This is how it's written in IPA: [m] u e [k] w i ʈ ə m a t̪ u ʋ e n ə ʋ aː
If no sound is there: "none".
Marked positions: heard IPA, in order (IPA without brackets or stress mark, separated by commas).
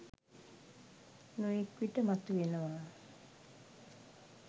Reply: n, k